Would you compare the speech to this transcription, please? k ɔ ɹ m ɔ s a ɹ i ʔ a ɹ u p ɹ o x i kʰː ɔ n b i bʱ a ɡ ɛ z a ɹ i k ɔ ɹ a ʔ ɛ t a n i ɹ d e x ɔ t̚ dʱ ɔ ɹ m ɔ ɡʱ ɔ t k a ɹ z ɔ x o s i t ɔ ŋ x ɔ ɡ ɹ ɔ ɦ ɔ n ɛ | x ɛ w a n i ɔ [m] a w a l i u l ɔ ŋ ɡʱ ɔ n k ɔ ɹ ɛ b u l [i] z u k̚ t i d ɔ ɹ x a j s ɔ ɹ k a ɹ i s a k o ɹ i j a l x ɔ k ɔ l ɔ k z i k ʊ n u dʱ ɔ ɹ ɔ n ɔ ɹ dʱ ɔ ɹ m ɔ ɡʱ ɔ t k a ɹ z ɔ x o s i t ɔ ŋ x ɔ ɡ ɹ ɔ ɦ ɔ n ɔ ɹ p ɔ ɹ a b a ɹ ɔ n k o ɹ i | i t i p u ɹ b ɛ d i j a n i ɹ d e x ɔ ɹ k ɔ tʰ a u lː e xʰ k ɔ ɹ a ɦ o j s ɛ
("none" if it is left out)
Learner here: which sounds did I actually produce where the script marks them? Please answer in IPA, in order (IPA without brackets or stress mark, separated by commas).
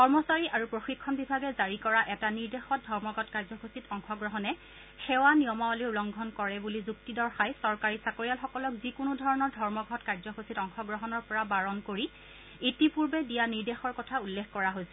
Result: m, i